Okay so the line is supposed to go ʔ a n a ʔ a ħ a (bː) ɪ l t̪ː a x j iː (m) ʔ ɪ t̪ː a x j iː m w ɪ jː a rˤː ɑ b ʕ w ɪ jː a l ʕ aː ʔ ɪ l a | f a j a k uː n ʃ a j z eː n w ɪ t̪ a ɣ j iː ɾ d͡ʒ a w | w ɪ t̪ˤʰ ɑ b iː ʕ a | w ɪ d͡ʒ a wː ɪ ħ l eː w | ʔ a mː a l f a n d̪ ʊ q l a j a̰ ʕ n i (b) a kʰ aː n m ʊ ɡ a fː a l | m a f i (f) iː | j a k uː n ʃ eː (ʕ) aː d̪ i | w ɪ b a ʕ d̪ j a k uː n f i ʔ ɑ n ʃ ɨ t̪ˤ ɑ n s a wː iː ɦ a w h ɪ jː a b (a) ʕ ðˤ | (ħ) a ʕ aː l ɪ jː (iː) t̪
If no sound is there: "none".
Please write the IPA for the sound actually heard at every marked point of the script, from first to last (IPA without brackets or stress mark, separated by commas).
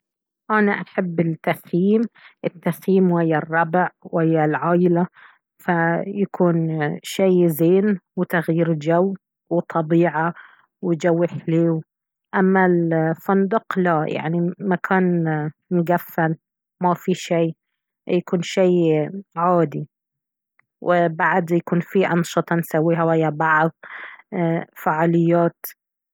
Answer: bː, m, m, ʃ, ʕ, ɑ, f, aː